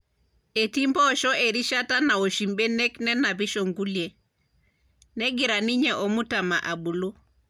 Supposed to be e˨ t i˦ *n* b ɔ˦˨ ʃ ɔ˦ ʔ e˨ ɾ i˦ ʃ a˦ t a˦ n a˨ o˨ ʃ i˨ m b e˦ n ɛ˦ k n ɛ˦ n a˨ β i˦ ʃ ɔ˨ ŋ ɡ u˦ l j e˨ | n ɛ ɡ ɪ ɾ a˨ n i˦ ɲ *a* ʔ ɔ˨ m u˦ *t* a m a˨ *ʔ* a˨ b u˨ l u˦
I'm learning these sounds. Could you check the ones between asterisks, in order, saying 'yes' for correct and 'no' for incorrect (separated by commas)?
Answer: no, no, yes, yes